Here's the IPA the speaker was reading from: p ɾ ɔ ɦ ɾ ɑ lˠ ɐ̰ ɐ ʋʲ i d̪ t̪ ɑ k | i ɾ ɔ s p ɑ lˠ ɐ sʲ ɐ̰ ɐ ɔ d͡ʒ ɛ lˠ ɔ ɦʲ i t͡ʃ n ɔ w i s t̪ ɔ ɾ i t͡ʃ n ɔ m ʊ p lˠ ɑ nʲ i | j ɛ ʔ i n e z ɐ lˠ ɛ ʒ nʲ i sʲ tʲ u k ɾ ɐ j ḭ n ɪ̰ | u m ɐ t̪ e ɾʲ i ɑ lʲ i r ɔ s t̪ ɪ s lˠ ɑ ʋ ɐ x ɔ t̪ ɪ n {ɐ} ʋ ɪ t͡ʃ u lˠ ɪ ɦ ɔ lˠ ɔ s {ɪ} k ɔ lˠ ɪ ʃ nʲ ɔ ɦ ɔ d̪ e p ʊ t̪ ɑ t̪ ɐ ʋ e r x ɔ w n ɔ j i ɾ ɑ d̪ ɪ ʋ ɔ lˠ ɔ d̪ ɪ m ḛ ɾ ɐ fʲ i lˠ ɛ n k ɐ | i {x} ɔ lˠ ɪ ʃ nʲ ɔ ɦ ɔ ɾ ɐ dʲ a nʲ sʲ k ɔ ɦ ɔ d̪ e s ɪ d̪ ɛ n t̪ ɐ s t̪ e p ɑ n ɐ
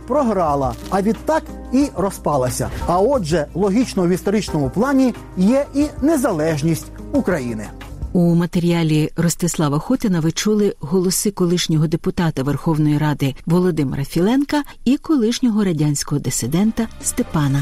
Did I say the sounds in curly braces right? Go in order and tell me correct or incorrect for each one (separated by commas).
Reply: correct, correct, incorrect